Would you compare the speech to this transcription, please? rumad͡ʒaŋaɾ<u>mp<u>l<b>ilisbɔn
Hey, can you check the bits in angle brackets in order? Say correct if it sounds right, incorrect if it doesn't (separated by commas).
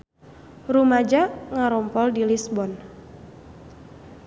incorrect, incorrect, incorrect